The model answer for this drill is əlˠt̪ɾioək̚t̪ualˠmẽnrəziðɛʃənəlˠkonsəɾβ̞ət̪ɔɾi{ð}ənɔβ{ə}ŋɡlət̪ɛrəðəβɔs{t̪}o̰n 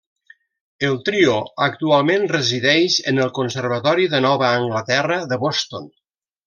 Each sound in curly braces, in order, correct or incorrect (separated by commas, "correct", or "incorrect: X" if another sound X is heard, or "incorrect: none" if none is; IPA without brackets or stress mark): correct, incorrect: əː, correct